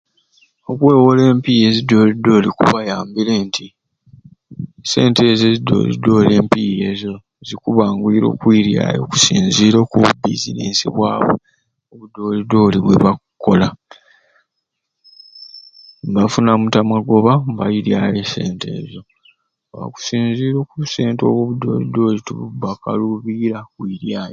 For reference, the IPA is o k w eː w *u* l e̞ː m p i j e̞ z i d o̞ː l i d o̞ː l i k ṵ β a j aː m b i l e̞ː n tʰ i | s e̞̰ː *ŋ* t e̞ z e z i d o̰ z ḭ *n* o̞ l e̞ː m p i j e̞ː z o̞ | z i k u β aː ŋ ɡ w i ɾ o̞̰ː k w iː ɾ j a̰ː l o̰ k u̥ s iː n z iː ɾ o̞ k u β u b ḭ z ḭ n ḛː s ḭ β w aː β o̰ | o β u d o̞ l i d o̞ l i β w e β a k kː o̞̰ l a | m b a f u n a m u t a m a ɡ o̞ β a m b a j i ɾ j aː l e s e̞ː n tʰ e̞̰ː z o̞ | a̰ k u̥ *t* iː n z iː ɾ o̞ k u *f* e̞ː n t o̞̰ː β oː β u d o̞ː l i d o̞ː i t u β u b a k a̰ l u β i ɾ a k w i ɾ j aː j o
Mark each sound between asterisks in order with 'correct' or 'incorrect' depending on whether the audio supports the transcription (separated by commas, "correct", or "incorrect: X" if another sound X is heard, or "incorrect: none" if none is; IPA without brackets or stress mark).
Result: incorrect: o, incorrect: n, incorrect: d, incorrect: s, incorrect: s